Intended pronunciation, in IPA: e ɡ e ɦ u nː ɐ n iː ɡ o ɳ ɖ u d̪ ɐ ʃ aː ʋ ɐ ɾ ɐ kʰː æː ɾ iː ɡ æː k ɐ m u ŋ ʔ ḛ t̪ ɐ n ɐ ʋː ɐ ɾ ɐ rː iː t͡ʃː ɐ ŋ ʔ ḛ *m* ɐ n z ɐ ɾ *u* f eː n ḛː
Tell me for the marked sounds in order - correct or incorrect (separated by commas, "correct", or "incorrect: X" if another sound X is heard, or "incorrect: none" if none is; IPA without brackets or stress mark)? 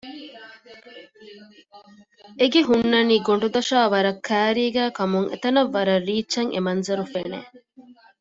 correct, correct